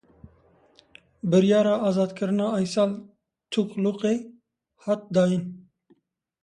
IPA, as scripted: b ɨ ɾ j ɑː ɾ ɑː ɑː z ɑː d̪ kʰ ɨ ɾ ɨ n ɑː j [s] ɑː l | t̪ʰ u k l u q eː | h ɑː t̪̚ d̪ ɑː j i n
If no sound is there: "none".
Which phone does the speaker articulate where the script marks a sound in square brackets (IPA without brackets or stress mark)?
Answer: s